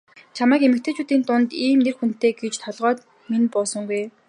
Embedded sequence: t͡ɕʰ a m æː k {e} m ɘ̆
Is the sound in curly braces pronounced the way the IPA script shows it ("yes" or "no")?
yes